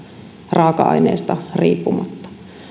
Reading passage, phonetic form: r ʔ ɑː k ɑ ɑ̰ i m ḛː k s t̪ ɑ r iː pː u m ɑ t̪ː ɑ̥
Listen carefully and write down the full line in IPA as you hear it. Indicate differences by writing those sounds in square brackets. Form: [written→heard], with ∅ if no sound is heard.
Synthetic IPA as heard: r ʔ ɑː k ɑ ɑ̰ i [m→n] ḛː [k→∅] s t̪ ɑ r iː pː u m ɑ t̪ː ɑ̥